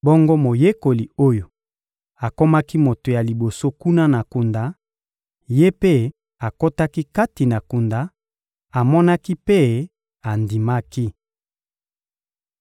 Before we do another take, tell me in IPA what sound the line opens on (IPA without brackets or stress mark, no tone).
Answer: b